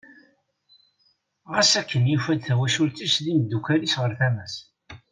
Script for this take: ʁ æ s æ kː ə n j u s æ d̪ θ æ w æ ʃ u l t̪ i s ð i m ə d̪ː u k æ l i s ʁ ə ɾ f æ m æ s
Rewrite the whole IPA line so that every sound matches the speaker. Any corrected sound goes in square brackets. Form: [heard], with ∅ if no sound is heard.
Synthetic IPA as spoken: ʁ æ s æ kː ə n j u [f] æ d̪ θ æ w æ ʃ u l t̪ i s ð i m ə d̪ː u k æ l i s ʁ ə ɾ [θ] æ m æ s